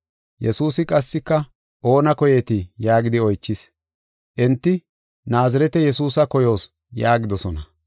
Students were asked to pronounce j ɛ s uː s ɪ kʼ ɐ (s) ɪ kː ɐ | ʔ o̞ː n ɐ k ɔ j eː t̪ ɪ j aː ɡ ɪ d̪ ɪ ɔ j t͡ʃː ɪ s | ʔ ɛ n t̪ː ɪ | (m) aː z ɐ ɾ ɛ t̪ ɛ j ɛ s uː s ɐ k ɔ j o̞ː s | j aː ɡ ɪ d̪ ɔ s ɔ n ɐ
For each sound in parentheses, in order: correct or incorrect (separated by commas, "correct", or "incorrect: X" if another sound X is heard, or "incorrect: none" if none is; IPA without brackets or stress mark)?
incorrect: sː, incorrect: n